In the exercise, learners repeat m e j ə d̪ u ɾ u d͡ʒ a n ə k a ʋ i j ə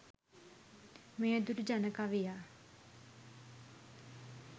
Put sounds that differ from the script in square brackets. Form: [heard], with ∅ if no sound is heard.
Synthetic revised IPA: m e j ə d̪ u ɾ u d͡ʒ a n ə k a ʋ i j [a]